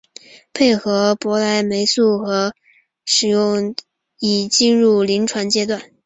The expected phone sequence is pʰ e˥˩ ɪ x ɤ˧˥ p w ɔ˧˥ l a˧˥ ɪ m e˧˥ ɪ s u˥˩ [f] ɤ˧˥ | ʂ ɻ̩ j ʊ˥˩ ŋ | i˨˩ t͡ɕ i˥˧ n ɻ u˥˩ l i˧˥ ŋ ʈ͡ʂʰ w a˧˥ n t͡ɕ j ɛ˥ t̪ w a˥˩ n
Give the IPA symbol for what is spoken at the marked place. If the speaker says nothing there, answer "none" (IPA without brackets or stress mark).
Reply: x